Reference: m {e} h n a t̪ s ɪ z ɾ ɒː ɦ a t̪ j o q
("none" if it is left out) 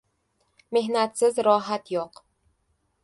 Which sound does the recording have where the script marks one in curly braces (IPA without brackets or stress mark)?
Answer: e